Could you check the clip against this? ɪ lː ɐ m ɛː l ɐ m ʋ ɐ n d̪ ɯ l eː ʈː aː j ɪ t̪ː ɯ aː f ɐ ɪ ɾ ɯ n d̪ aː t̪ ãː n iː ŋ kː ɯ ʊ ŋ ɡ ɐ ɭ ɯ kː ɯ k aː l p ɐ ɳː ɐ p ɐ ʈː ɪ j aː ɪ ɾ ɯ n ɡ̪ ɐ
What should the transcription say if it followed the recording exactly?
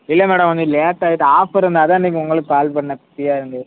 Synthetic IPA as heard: ɪ lː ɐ m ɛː ɽ ɐ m ʋ ɐ n d̪ ɯ l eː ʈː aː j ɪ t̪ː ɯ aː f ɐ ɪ ɾ ɯ n d̪ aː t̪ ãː n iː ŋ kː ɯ ʊ ŋ ɡ ɐ ɭ ɯ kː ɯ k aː l p ɐ ɳː ɐ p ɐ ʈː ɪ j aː ɪ ɾ ɯ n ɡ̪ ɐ